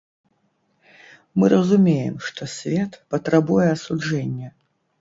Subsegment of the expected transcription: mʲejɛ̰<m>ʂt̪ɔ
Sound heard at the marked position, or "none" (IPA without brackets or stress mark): m